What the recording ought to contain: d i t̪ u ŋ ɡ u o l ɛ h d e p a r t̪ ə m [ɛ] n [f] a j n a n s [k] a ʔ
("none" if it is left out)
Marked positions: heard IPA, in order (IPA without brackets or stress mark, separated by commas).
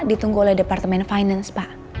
ɛ, f, p